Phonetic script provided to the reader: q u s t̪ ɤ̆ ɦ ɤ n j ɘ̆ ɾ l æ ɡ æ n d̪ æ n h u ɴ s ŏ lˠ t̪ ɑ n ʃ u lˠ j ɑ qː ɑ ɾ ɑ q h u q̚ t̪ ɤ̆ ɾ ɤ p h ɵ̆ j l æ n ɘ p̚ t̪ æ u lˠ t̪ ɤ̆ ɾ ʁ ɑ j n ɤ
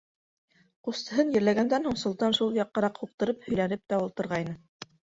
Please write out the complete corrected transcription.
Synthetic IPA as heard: q u s t̪ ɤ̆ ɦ ɤ n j ɘ̆ ɾ l æ ɡ æ n d̪ æ n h u ɴ s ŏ lˠ t̪ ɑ n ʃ u lˠ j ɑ qː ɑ ɾ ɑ q h u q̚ t̪ ɤ̆ ɾ ɤ p h ɵ̆ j l æ n ɘ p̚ t̪ æ u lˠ t̪ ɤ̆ ɾ ʁ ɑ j n ɤ